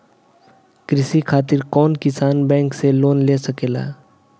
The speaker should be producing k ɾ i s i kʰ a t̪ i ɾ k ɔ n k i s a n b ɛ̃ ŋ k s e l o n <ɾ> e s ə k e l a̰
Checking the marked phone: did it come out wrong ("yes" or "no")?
yes